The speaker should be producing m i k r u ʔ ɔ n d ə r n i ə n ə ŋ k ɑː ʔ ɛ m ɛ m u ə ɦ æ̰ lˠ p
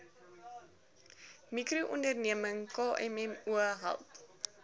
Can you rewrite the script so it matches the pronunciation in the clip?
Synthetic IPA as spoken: m i k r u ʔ ɔ n d ə r n i ə m ə ŋ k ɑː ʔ ɛ m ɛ m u ə ɦ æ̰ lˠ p